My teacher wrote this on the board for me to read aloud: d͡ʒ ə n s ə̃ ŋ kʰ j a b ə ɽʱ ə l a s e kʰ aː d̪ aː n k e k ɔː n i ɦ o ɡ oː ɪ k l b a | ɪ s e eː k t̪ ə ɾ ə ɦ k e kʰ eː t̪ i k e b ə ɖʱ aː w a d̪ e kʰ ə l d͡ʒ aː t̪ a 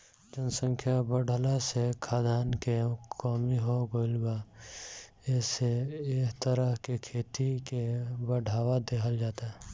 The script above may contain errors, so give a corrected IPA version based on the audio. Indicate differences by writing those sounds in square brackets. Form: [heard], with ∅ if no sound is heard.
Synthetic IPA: d͡ʒ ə n s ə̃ ŋ kʰ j a b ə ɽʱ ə l a s e kʰ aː d̪ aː n k e k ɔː [m] i ɦ o ɡ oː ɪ [∅] l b a | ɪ s e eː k t̪ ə ɾ ə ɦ k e kʰ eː t̪ i k e b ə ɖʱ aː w a d̪ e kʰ ə l d͡ʒ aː t̪ a